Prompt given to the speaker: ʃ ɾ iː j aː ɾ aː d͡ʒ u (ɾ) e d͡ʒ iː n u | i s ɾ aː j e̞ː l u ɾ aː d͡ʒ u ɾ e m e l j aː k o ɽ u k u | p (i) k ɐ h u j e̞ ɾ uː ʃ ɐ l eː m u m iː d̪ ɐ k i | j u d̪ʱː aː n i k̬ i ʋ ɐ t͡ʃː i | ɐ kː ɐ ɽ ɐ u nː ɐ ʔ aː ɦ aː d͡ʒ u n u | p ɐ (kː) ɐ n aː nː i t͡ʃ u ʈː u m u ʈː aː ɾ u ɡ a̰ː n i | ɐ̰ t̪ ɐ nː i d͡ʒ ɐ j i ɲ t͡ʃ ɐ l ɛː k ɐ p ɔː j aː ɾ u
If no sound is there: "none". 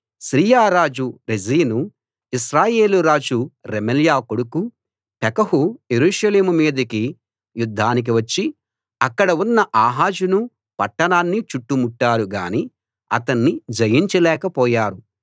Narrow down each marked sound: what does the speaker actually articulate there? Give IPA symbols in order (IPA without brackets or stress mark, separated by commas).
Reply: ɾ, ɛ, ʈː